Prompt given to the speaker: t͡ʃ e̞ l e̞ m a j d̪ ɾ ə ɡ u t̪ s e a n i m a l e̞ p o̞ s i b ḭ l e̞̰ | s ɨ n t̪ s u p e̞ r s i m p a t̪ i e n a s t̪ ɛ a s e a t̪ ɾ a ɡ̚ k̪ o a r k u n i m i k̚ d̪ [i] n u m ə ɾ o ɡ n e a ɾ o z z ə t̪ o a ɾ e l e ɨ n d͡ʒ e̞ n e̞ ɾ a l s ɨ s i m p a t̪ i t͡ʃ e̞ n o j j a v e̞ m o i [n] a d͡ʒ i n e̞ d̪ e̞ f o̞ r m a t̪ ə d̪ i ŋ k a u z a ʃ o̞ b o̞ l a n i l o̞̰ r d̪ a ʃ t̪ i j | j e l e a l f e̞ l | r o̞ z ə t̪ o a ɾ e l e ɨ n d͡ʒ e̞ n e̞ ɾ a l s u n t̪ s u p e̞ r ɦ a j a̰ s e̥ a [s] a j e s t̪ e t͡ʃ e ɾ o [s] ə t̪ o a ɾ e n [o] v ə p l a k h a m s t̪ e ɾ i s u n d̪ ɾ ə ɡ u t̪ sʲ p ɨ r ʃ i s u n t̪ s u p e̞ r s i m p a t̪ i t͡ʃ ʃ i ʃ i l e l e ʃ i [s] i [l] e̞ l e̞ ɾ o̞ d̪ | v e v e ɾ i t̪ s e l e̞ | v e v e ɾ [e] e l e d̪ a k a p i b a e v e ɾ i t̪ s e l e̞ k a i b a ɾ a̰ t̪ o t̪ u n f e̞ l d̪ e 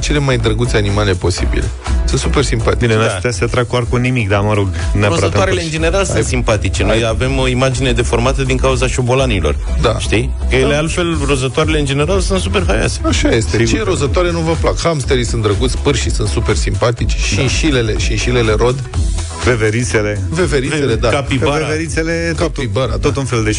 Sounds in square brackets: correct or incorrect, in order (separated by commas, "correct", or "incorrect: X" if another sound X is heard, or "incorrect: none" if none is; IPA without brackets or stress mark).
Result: incorrect: a, incorrect: m, incorrect: ʃ, incorrect: z, incorrect: u, incorrect: ʃ, correct, incorrect: i